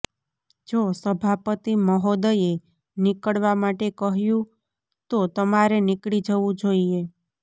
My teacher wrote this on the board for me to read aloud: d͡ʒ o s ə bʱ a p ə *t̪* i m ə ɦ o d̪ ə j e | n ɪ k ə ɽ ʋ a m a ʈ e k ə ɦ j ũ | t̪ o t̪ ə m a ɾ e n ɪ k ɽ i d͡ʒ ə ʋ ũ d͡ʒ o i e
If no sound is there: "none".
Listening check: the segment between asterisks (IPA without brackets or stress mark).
t̪